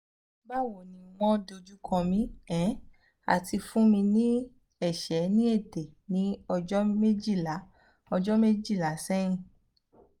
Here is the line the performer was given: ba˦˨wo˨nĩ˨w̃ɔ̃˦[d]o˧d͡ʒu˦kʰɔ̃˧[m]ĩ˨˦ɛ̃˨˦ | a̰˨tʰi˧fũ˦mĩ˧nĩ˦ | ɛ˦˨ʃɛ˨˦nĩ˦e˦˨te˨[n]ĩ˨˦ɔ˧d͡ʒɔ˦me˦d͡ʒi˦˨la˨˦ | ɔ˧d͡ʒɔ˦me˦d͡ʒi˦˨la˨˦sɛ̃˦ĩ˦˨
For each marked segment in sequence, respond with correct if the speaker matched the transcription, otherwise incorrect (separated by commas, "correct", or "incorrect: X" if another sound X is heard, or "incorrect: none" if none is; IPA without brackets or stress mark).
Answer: correct, correct, correct